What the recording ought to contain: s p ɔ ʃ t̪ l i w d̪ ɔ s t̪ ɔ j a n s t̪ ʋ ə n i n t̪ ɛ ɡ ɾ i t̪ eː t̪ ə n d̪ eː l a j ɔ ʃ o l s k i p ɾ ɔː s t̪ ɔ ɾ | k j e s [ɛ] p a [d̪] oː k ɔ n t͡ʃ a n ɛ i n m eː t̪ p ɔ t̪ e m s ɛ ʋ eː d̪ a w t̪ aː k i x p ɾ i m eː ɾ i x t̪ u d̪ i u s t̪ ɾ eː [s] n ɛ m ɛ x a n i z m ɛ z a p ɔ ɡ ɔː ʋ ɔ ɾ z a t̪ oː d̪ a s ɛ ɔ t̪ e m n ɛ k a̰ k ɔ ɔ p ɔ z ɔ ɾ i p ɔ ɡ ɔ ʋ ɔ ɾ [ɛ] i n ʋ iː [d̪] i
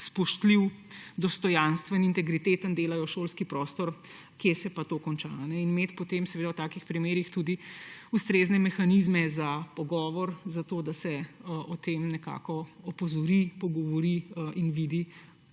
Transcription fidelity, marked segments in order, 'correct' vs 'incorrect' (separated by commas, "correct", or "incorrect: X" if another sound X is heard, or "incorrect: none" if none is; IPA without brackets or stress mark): correct, incorrect: t̪, incorrect: z, incorrect: i, correct